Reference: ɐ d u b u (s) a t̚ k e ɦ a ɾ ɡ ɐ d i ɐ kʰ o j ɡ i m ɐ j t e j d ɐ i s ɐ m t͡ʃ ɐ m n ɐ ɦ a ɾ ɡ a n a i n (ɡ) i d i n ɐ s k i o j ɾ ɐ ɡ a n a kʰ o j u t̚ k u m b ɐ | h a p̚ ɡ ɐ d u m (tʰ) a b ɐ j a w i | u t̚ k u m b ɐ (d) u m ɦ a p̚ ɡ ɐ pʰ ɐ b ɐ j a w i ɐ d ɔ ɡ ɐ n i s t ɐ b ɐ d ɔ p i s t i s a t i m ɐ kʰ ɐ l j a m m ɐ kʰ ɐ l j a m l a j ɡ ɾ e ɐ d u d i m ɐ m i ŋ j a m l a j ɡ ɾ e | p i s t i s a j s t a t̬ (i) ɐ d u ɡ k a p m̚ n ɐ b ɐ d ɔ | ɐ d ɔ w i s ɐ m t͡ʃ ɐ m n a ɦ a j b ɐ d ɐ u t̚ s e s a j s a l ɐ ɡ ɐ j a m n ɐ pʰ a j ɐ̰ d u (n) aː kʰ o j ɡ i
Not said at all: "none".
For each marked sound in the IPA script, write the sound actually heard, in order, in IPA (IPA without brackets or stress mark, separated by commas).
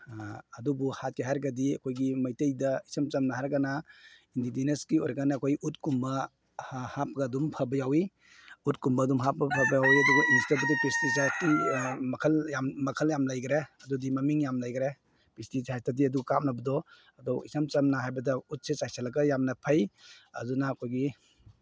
h, d, pʰ, d, i, n